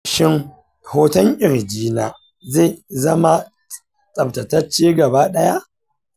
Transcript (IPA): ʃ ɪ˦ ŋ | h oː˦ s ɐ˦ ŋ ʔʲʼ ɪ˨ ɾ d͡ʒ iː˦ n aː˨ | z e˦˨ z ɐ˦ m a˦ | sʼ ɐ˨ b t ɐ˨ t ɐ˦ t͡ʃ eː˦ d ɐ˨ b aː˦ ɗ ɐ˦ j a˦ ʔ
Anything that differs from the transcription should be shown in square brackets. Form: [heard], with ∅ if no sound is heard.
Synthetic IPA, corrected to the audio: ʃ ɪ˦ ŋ | h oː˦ [t] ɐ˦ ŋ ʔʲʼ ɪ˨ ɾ d͡ʒ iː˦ n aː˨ | z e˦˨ z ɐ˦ m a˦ | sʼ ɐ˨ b t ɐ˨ t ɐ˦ t͡ʃ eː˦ [ɡ] ɐ˨ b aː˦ ɗ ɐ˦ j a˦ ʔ